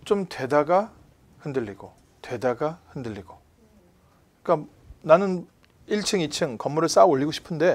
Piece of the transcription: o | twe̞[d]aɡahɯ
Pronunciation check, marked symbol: correct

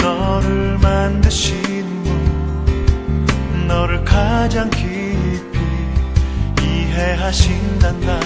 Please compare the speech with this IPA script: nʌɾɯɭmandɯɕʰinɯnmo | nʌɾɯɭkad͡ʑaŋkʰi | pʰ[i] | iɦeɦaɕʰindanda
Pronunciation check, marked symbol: correct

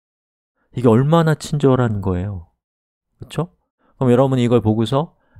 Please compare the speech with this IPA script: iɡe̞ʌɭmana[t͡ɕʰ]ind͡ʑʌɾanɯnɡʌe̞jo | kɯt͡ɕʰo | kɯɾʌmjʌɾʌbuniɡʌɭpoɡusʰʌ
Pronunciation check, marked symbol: correct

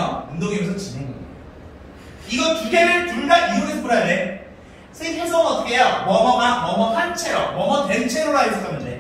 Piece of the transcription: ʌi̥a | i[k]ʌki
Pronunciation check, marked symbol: incorrect: ɡ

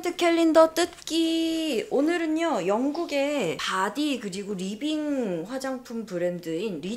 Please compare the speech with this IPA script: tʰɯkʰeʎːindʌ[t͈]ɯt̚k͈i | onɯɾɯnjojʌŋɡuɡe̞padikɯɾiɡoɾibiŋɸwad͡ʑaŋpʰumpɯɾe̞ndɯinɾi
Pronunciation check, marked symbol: correct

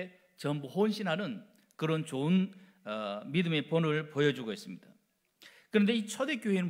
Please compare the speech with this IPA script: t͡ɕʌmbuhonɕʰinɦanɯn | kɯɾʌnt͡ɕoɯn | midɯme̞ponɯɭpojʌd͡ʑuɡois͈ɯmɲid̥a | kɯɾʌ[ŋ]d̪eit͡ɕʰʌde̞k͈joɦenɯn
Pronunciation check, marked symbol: incorrect: n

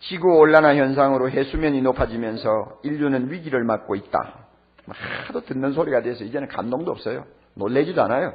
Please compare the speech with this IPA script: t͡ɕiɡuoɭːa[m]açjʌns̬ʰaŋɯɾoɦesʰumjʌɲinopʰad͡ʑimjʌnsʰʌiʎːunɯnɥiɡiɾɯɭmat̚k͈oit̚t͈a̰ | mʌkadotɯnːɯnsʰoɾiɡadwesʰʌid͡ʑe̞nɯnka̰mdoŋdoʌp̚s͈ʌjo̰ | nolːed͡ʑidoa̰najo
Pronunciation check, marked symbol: incorrect: n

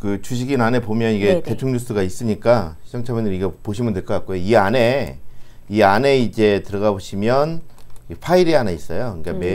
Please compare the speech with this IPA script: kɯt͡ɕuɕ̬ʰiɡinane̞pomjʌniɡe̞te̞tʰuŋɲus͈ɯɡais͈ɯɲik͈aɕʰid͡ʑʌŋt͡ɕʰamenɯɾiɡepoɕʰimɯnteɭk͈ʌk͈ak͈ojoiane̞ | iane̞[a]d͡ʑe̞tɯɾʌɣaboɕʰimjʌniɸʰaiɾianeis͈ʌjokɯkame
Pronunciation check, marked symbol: incorrect: i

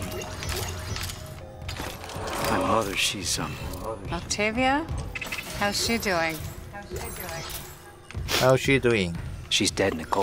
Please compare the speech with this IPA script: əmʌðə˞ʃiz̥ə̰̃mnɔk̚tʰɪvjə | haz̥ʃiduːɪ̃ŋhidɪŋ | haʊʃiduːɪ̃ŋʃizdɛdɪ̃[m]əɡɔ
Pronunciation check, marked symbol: incorrect: n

